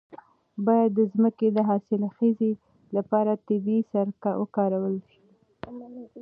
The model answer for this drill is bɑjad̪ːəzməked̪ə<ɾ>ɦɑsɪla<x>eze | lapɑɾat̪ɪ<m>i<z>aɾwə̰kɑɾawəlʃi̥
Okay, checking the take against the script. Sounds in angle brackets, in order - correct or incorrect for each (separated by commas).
incorrect, correct, incorrect, incorrect